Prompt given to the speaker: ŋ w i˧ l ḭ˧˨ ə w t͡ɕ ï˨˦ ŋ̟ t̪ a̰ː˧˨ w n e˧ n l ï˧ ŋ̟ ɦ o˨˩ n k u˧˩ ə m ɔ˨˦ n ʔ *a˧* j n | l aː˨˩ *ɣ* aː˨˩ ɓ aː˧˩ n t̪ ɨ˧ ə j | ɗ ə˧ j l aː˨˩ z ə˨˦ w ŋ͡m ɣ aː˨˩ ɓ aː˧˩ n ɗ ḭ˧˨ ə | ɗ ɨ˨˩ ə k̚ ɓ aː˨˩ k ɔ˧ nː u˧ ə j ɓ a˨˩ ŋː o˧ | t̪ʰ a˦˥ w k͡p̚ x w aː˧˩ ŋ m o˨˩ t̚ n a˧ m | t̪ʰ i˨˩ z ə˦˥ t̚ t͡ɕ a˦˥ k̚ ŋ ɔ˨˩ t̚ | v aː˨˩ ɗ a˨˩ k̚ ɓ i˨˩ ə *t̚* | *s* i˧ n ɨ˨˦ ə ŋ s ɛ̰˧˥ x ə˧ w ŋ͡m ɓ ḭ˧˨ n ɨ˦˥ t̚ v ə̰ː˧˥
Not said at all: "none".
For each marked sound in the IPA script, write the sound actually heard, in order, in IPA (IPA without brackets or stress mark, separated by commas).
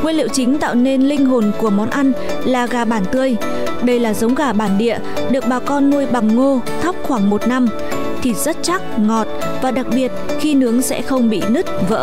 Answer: a˧, ɣ, t̚, x